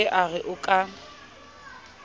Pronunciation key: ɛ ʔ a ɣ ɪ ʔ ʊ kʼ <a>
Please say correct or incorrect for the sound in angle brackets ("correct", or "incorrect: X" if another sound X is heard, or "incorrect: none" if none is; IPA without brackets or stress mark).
correct